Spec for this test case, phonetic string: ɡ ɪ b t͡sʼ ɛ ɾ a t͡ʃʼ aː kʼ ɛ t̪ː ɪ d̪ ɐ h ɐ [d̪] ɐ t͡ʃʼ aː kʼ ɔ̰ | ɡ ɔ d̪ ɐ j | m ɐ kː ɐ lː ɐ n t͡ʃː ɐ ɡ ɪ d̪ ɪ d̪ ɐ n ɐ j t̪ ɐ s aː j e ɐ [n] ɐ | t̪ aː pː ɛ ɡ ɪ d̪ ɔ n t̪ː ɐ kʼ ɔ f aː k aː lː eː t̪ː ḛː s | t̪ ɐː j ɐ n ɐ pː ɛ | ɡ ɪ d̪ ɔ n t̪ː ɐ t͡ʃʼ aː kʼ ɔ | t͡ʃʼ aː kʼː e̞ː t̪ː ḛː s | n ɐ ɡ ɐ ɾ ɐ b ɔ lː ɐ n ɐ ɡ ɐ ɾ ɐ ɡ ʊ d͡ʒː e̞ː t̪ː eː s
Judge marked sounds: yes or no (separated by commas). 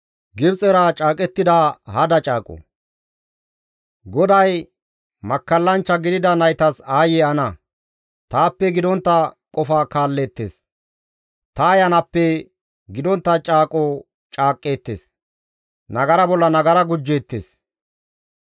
yes, yes